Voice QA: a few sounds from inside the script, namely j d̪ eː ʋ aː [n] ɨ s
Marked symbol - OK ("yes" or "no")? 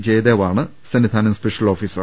no